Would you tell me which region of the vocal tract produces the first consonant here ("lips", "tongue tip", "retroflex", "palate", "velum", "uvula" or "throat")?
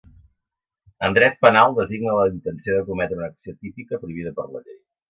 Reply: tongue tip